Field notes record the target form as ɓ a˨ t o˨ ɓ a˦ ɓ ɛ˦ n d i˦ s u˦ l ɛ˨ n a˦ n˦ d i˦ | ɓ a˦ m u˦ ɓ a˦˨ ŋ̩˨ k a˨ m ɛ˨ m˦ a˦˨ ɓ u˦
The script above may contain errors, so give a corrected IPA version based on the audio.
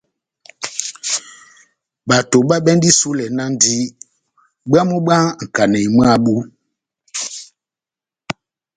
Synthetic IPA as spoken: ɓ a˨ t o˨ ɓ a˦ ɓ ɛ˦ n d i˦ s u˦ l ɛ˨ n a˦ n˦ d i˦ | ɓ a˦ m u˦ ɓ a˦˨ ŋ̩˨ k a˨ n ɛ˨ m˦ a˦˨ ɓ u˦